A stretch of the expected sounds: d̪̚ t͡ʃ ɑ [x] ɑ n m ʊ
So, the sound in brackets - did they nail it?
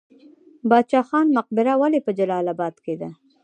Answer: yes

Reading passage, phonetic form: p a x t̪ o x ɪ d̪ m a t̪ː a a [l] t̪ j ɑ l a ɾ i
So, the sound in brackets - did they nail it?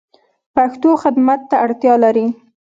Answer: no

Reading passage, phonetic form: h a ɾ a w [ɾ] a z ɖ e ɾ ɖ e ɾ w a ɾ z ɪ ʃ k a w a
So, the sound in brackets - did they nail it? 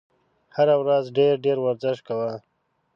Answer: yes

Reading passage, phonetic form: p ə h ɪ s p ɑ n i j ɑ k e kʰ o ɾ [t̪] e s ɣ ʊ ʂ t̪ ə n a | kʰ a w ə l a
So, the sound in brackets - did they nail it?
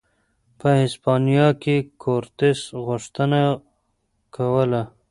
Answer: yes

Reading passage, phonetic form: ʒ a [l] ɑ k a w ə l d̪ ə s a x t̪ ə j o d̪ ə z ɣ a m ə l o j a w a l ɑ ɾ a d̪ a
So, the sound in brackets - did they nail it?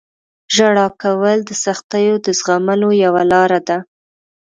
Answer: no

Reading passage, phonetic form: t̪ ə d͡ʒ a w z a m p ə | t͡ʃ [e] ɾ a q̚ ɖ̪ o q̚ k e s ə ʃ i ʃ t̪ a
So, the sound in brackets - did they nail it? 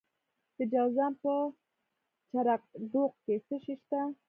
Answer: no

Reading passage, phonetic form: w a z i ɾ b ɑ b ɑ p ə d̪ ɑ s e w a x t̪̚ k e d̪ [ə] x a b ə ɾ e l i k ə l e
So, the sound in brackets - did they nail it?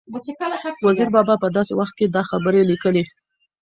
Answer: no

